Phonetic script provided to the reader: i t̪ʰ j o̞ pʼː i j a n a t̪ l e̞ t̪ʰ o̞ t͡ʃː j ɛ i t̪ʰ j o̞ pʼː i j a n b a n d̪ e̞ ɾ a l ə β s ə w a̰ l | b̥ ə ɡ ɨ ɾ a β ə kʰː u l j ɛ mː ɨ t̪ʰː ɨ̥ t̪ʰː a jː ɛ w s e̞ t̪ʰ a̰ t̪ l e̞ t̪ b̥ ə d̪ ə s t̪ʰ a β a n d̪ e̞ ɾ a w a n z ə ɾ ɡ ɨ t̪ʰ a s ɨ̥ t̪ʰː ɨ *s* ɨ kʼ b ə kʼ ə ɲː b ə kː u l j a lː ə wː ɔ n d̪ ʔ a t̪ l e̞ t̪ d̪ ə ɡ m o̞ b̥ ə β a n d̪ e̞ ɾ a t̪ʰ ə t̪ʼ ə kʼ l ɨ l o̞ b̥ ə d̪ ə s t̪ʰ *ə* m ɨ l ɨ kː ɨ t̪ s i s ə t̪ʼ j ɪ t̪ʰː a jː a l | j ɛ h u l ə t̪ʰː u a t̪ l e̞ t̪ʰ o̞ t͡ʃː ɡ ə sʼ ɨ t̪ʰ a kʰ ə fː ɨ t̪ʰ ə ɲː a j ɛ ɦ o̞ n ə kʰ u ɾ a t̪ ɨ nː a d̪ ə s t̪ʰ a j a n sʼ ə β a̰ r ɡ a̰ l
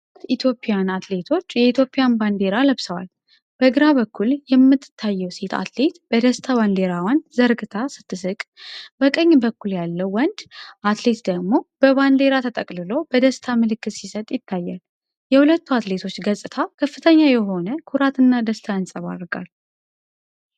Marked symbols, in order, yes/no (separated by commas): yes, no